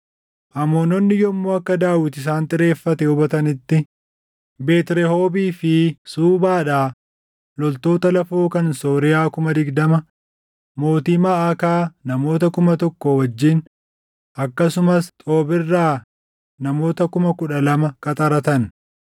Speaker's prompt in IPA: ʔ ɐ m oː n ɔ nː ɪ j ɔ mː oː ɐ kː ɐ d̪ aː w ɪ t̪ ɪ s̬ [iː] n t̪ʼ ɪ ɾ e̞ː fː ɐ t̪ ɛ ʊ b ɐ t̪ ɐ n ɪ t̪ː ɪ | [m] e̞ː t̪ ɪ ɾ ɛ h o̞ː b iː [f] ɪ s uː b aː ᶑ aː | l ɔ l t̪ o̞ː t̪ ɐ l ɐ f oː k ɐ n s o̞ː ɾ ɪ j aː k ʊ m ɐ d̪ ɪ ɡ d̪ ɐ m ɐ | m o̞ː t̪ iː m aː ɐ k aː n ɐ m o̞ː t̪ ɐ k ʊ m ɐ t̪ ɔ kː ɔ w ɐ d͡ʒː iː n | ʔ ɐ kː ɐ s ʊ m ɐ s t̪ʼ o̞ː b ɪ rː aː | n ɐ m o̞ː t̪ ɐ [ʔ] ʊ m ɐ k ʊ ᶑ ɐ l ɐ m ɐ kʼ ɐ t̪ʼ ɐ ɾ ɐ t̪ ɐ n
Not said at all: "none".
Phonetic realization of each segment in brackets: aː, b, f, k

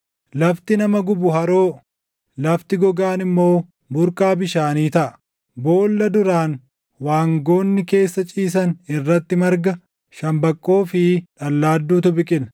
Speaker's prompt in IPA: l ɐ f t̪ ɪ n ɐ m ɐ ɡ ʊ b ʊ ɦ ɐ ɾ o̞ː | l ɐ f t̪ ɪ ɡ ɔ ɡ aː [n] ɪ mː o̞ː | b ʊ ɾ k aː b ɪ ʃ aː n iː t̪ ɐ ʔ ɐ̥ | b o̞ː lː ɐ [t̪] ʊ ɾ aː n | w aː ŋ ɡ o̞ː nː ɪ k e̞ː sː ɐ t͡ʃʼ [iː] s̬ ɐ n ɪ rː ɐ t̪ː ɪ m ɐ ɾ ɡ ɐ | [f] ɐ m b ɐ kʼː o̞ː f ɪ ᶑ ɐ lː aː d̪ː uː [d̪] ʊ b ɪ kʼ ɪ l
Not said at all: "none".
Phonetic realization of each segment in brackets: n, d̪, iː, ʃ, t̪

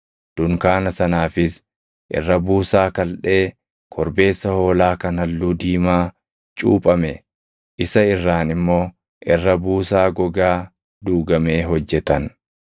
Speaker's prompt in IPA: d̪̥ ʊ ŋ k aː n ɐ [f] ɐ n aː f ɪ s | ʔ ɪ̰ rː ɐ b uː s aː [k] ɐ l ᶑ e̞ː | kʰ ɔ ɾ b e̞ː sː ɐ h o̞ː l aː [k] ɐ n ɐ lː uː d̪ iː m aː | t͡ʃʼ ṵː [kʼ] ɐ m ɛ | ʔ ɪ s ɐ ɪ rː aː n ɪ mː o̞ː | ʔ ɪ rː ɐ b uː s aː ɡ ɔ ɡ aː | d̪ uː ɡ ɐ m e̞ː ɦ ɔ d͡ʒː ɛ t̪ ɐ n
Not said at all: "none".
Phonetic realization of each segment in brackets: s, k, k, pʼ

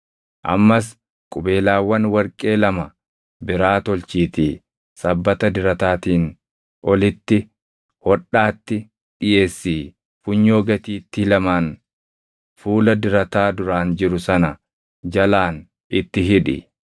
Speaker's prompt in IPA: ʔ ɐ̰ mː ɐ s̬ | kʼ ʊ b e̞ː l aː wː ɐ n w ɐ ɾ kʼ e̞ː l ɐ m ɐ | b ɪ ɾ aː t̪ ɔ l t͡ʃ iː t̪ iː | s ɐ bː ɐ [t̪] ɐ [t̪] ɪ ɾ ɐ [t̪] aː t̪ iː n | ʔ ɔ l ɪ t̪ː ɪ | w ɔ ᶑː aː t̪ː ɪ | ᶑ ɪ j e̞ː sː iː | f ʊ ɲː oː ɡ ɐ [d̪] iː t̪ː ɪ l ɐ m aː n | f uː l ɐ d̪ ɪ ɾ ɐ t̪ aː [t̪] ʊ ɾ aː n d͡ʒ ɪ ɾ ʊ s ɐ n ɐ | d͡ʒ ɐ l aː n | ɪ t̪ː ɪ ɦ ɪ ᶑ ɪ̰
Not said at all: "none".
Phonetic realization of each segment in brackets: t̪, d̪, t̪, t̪, d̪

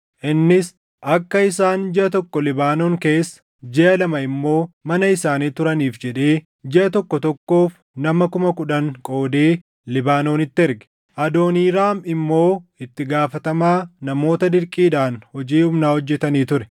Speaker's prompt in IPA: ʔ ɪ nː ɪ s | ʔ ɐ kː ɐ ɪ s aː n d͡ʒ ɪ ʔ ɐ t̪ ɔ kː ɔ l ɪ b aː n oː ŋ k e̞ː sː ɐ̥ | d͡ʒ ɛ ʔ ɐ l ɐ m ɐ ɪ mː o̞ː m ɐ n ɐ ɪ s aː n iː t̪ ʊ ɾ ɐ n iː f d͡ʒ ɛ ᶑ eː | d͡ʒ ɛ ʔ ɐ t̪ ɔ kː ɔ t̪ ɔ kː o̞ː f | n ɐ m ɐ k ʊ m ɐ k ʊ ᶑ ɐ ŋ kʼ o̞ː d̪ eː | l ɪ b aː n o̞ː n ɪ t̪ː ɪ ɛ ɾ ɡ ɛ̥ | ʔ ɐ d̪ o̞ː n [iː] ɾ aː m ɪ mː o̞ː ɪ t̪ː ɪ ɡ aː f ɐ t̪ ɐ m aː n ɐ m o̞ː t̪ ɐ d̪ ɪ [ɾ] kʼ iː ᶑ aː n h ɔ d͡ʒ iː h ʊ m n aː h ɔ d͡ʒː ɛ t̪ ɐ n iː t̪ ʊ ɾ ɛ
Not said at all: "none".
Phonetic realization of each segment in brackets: iː, ɾ

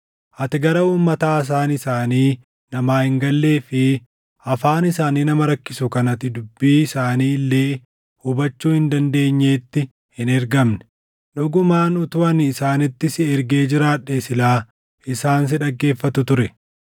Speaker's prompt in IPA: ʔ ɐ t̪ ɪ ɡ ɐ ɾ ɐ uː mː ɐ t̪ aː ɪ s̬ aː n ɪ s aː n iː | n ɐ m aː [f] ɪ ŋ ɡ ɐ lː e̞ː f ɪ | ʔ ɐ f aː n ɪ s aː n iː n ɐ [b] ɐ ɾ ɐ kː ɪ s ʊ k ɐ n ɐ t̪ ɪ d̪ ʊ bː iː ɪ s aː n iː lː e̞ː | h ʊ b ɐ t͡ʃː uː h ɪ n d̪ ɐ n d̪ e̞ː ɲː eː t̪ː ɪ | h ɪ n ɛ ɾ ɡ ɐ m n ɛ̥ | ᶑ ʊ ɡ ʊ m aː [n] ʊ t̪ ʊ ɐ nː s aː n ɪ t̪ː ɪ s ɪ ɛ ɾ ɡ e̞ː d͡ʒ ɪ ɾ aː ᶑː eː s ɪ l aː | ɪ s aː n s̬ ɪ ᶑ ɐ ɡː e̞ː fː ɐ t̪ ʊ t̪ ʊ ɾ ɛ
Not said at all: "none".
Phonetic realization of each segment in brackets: h, m, n

